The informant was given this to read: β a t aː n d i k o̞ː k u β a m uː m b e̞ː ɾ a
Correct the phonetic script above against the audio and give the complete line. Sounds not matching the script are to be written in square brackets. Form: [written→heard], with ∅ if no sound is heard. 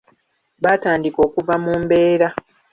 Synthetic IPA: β a t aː n d i k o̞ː k u [β→v] a m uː m b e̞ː ɾ a